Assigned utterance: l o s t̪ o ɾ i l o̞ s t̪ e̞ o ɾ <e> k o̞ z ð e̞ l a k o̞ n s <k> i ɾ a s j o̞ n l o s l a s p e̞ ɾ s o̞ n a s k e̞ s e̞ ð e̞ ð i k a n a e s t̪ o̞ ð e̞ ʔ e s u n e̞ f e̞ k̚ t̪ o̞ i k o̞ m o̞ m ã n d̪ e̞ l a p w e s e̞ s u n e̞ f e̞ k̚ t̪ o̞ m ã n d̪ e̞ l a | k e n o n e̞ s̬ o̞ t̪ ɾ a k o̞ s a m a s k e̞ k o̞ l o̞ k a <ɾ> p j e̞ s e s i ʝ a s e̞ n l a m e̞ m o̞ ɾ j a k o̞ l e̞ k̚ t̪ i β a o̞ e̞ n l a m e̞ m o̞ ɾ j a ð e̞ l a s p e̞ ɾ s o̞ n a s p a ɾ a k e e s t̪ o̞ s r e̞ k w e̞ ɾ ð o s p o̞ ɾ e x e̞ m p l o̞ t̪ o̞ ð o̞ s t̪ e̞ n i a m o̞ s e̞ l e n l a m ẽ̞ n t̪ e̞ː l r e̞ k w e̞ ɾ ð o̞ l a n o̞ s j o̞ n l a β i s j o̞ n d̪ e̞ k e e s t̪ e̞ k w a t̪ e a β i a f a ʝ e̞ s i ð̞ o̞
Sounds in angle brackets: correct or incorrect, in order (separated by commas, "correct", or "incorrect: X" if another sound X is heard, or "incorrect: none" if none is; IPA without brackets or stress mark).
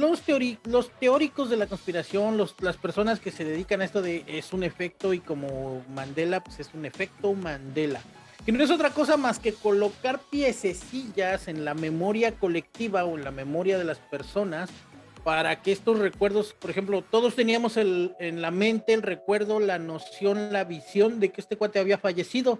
incorrect: i, incorrect: p, correct